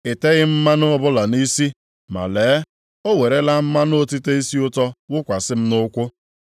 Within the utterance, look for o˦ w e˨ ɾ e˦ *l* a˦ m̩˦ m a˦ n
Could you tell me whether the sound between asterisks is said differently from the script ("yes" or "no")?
no